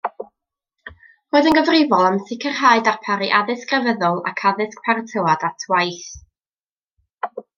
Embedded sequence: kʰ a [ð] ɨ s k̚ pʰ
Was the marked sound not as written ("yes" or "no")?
no